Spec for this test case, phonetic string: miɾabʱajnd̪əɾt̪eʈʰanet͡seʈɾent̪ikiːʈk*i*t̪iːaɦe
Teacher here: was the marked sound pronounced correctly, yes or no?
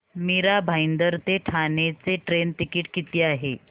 yes